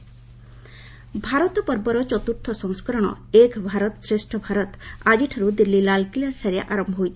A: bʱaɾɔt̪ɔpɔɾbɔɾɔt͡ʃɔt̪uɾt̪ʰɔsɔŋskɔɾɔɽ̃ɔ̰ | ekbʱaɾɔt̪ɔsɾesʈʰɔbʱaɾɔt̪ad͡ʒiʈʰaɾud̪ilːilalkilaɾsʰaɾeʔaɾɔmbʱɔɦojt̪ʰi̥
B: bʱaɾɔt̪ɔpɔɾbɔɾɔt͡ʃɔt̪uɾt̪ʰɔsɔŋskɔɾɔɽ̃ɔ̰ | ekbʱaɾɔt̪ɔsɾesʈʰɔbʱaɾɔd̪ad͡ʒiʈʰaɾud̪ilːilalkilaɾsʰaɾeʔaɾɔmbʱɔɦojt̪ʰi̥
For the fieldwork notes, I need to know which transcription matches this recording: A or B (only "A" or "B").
A